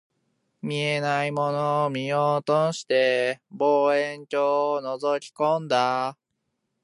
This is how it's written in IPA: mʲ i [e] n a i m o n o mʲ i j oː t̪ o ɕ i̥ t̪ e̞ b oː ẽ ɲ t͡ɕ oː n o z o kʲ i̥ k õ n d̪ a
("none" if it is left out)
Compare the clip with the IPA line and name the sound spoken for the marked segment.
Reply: e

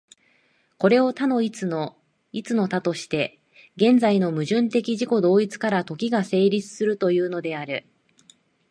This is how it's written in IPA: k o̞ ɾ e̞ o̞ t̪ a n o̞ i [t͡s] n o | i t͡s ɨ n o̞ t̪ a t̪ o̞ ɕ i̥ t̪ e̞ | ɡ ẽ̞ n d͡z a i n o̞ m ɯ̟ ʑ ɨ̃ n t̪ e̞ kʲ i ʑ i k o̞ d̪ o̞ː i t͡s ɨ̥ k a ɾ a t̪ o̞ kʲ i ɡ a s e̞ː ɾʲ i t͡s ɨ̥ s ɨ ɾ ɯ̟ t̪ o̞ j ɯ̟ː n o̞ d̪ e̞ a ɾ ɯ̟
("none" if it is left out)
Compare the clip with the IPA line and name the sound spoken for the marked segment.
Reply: t͡s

